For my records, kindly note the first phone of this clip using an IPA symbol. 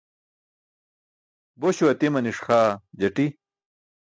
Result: b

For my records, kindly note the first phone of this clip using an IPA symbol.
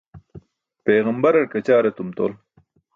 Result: p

